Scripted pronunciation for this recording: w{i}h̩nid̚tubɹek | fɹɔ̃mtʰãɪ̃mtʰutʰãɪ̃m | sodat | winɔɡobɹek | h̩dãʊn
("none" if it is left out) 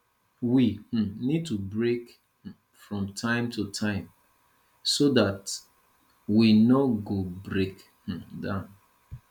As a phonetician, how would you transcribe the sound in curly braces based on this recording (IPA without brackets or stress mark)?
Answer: i